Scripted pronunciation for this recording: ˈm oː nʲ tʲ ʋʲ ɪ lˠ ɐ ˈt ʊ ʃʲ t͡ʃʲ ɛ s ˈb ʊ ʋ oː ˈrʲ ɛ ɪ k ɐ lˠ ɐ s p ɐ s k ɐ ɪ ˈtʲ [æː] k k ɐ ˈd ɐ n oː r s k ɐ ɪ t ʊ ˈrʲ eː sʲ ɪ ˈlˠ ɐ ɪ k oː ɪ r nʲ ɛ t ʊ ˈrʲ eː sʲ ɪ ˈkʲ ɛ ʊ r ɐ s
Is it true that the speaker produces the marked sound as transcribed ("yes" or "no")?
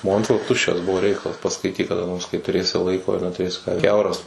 no